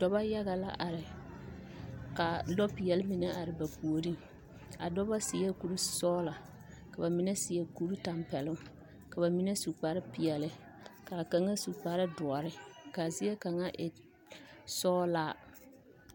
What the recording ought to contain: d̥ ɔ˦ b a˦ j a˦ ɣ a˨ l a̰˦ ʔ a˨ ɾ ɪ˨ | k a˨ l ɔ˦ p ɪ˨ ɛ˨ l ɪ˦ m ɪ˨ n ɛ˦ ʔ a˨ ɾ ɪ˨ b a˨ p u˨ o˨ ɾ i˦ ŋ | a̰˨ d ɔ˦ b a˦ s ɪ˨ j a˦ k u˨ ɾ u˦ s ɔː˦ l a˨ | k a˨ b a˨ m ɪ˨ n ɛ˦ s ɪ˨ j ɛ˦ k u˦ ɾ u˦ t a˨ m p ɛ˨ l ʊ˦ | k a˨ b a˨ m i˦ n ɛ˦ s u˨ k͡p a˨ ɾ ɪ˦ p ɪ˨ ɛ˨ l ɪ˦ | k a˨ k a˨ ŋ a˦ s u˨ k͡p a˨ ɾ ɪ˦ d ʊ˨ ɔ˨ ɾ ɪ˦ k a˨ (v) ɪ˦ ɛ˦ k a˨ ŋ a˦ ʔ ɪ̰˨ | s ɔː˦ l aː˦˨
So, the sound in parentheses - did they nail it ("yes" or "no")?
no